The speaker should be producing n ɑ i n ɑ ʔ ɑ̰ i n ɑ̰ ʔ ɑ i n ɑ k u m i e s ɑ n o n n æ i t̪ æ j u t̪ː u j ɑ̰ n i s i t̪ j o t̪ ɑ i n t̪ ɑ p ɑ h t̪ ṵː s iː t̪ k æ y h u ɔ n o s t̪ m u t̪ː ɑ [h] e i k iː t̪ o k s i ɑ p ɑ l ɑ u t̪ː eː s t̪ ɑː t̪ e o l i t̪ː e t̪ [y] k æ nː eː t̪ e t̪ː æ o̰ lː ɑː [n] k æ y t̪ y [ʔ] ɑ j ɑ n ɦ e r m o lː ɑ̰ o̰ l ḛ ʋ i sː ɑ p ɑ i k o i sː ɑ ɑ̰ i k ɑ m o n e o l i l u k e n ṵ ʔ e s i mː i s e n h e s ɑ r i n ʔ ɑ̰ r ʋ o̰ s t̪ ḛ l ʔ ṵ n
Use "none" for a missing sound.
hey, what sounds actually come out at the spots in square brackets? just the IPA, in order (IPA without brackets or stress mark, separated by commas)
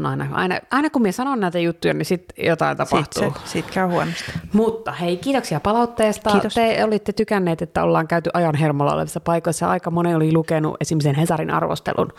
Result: h, y, ŋ, ʔ